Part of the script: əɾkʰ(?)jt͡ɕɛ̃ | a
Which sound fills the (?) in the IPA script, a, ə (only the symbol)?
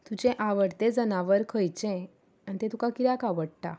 ə